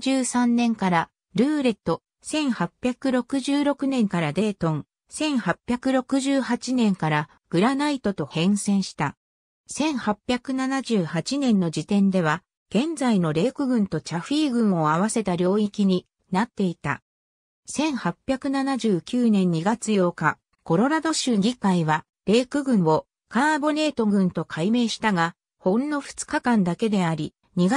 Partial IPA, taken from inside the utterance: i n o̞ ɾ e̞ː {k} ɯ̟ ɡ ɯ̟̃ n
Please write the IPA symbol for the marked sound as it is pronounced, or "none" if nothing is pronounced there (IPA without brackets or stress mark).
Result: k